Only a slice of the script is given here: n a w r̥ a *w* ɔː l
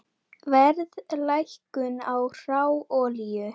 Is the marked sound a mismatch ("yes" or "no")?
no